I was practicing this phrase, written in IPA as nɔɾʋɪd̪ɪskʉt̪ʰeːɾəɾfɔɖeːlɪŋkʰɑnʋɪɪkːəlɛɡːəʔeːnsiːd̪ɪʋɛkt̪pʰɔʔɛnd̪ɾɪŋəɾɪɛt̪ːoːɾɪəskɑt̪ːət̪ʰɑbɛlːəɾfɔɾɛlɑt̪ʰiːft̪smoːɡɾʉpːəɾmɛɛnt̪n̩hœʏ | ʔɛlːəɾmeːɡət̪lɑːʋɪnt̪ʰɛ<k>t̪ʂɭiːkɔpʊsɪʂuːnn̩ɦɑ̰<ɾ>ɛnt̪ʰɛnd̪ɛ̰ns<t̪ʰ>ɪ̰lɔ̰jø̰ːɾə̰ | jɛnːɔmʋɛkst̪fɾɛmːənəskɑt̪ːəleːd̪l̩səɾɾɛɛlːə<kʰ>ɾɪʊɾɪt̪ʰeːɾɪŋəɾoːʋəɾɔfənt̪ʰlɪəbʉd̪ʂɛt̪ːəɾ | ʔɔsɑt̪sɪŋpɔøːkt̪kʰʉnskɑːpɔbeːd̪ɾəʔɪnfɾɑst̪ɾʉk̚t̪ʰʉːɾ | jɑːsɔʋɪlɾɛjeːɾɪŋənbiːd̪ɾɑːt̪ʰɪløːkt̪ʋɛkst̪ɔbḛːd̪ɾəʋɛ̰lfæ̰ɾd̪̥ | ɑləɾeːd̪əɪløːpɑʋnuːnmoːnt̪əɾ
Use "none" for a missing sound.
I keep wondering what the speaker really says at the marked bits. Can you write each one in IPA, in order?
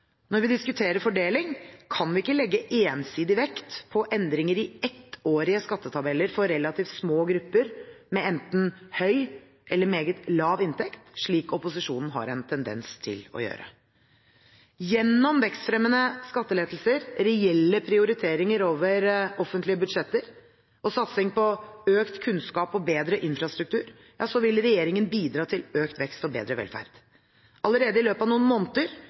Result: k, ɾ, t̪ʰ, pʰ

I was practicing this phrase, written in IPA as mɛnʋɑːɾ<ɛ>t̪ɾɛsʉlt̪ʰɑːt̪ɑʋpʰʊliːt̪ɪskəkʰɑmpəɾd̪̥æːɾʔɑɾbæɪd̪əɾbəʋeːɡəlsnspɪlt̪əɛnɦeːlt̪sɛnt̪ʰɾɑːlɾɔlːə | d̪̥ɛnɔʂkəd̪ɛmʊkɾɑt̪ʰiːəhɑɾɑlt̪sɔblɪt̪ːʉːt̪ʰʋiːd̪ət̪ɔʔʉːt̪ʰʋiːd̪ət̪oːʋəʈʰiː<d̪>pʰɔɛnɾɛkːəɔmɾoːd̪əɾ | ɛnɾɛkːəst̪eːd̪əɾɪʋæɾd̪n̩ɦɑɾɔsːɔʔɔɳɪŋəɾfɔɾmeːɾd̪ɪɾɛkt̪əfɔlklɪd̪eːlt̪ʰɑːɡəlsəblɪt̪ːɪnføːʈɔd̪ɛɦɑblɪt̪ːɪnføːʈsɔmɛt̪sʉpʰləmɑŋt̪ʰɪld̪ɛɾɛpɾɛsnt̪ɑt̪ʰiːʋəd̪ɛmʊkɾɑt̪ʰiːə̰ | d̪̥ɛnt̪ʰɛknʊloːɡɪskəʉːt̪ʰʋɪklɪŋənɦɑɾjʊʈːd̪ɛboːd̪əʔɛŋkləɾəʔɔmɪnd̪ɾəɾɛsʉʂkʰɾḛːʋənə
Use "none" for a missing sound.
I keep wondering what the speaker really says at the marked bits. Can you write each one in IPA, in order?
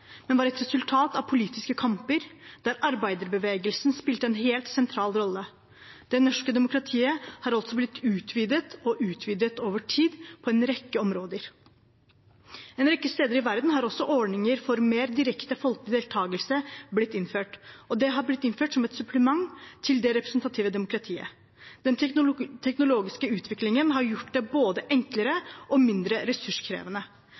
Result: ɛ, d̪

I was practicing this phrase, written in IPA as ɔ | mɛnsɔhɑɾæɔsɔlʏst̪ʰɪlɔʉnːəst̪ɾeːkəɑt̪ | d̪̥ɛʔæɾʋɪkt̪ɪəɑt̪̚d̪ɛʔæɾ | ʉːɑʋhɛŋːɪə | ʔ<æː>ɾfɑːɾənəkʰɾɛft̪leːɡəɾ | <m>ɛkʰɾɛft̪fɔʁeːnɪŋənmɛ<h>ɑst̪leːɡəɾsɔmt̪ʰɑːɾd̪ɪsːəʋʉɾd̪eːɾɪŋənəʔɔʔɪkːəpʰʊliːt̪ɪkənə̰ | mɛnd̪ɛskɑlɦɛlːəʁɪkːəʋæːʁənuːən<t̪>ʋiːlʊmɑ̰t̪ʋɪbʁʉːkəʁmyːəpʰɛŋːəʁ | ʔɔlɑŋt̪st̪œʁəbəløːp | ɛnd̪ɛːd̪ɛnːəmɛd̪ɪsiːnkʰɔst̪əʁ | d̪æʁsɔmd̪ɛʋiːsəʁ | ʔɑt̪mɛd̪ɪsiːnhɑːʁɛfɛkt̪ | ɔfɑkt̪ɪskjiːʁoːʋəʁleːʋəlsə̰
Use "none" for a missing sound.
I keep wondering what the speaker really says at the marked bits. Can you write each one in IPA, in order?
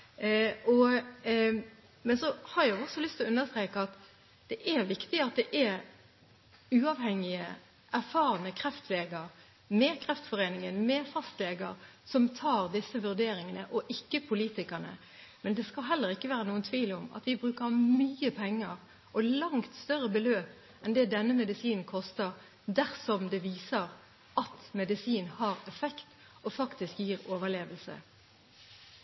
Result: æ, m, f, t̪ʰ

